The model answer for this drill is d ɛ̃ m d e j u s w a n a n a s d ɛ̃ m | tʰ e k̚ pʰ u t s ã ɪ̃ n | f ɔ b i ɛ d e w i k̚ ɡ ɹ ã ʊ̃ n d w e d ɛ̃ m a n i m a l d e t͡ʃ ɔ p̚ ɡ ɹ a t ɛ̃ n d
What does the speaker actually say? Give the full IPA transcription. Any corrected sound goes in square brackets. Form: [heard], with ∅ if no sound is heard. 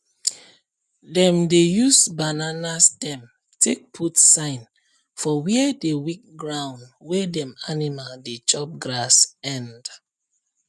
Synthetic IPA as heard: d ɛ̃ m d e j u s [b] a n a n a s d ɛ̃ m | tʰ e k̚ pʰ u t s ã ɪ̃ n | f ɔ [w] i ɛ d e w i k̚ ɡ ɹ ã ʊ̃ n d w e d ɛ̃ m a n i m a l d e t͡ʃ ɔ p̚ ɡ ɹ a [s] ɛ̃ n d